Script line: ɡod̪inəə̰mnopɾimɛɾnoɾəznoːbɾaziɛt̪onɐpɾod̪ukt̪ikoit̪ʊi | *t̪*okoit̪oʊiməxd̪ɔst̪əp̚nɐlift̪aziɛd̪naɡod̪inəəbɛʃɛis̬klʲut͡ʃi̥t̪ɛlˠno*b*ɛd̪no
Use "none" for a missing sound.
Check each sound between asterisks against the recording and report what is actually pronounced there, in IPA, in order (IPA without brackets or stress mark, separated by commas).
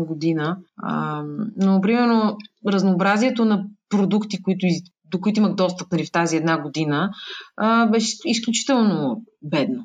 d̪, b